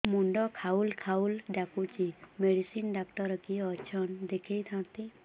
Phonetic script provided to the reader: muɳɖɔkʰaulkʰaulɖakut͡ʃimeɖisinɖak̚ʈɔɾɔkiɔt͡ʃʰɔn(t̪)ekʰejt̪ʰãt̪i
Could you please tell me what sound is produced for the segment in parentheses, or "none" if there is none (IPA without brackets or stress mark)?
d̪